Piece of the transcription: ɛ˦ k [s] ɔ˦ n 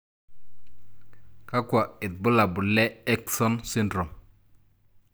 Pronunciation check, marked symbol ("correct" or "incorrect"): correct